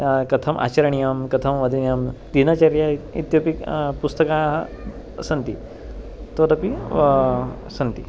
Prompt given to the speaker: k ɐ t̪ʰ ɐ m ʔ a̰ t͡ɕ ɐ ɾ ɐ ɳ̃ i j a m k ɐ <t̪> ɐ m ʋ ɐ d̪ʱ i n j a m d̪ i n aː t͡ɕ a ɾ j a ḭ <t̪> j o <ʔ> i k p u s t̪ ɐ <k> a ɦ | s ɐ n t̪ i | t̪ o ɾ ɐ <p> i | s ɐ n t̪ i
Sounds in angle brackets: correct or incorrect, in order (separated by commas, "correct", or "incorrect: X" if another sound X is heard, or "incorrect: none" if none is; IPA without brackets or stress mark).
incorrect: t̪ʰ, correct, incorrect: p, correct, correct